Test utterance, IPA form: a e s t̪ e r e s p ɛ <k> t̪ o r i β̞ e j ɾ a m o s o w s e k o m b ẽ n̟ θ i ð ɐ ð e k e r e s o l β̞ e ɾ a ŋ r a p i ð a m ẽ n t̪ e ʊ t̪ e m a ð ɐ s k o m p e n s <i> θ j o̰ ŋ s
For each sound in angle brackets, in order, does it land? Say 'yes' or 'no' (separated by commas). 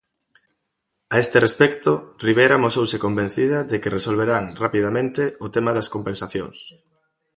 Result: yes, no